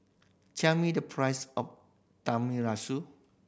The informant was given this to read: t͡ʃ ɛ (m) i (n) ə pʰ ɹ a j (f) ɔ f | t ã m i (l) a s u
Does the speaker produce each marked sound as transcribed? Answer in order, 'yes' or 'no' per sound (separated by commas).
yes, no, no, no